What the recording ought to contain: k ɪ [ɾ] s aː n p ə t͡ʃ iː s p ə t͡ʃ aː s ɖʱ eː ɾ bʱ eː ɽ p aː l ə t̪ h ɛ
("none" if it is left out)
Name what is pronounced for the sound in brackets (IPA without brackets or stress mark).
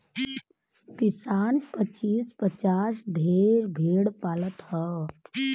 none